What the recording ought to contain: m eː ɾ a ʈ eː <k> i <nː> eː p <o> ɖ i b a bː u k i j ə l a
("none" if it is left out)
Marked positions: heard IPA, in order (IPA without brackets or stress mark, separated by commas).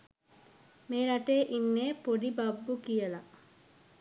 ʔ, nː, o